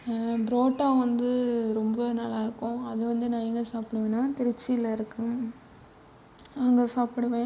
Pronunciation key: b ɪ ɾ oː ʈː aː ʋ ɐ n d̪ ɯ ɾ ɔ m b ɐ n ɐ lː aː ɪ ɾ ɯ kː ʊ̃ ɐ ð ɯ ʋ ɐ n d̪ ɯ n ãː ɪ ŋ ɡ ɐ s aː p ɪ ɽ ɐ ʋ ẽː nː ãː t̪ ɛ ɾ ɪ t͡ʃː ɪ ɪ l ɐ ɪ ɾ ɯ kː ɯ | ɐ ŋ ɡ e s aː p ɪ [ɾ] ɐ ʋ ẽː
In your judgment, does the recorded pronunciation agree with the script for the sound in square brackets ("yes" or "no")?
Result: no